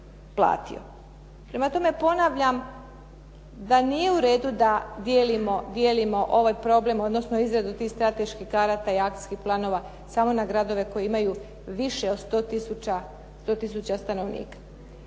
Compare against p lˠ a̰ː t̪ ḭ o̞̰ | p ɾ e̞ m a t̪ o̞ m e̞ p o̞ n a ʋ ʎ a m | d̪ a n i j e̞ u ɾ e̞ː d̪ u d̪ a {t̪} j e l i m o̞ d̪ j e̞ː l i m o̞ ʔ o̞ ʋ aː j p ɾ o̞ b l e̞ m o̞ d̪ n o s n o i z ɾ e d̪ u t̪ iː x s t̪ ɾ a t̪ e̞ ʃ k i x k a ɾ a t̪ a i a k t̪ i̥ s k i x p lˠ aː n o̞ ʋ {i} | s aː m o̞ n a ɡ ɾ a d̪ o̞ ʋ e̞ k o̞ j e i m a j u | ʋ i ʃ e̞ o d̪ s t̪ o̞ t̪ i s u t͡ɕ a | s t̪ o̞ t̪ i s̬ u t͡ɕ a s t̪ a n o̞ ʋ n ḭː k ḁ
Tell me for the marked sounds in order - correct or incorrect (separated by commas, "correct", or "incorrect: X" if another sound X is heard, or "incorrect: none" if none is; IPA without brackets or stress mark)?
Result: incorrect: d̪, incorrect: a